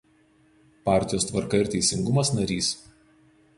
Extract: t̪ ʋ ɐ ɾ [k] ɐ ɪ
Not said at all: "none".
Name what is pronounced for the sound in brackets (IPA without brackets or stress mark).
k